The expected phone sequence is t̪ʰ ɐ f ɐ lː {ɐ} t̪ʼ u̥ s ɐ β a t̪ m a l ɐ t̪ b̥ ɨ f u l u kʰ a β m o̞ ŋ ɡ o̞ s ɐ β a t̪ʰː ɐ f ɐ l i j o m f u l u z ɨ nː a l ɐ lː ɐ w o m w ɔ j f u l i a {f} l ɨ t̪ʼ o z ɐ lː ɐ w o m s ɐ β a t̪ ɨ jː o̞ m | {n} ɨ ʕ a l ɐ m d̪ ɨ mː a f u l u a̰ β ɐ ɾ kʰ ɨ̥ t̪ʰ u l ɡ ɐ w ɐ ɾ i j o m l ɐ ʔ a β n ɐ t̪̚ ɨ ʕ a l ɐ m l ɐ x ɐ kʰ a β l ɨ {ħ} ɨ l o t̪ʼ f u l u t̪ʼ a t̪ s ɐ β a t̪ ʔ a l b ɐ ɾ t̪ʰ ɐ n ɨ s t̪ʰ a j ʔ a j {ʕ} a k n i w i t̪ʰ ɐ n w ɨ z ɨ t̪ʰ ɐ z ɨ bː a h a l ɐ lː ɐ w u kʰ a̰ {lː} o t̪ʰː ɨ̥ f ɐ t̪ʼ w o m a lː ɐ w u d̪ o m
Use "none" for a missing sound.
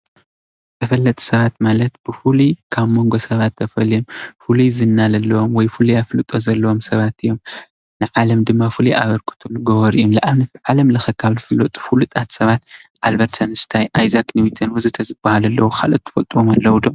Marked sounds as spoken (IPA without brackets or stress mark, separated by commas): ɐ, f, n, f, z, l